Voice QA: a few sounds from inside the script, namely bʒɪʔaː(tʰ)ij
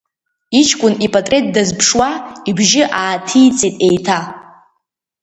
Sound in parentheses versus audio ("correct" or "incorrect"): correct